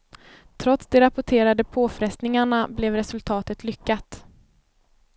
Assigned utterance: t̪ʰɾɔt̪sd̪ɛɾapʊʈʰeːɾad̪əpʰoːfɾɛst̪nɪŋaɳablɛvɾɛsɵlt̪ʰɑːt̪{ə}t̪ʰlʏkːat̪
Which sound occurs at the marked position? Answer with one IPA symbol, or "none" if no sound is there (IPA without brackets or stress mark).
ə